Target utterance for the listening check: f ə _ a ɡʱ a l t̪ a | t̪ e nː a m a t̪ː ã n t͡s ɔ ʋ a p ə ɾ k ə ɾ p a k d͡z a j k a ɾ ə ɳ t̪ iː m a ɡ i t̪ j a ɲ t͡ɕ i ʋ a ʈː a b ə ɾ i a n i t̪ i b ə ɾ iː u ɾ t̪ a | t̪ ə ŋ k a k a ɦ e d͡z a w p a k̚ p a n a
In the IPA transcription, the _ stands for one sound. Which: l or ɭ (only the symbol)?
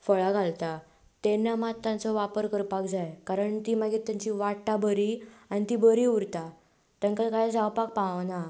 ɭ